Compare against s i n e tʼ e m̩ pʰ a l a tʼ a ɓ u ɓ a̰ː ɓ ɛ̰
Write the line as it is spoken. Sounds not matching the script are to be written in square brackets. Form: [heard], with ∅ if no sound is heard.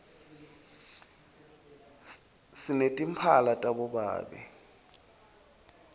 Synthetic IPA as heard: s i n e tʼ [i] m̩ pʰ a l a tʼ a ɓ [ɔ] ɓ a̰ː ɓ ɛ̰